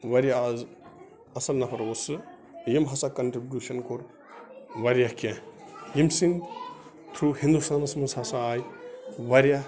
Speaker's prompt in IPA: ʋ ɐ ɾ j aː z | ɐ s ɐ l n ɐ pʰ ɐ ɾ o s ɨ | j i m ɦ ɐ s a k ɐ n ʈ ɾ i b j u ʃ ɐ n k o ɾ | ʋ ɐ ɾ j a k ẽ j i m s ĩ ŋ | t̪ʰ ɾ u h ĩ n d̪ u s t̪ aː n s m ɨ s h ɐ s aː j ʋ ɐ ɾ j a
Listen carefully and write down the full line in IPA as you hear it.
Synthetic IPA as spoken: ʋ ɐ ɾ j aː z | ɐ s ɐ l n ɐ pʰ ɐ ɾ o s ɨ | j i m ɦ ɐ s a k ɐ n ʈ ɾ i b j u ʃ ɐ n k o ɾ | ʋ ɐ ɾ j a k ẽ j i m s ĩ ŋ | t̪ʰ ɾ u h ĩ n d̪ u s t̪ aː n s m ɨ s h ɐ s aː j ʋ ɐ ɾ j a